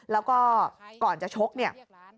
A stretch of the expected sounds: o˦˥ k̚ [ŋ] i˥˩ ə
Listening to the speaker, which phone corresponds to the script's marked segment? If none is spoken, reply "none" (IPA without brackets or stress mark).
n